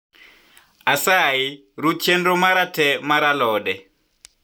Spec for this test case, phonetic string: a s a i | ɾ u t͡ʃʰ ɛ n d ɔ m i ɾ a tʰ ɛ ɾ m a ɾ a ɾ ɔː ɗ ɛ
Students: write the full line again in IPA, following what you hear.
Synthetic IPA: a s a i | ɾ u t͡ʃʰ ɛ n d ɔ m a ɾ a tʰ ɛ m a ɾ a l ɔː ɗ ɛ